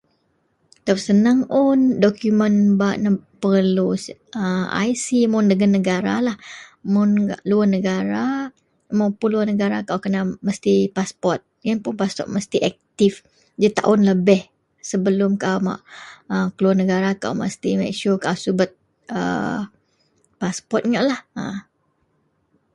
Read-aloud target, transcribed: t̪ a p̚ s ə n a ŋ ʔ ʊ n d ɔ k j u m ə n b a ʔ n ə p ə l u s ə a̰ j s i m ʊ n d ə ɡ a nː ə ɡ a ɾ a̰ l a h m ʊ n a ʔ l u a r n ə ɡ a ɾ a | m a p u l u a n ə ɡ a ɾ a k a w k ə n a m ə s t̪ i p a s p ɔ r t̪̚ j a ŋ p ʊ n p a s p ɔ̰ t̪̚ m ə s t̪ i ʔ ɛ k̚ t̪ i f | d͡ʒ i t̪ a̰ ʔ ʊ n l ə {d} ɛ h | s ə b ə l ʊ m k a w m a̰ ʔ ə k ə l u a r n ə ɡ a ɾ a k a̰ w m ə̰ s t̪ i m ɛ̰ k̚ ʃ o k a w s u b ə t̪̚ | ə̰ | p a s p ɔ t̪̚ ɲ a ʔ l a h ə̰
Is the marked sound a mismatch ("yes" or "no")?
yes